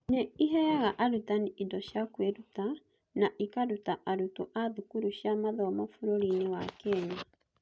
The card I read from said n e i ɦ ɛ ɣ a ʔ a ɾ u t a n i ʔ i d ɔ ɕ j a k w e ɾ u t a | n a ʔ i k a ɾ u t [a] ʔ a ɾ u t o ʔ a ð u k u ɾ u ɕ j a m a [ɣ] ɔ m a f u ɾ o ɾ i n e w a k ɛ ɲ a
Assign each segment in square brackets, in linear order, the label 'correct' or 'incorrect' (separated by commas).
correct, incorrect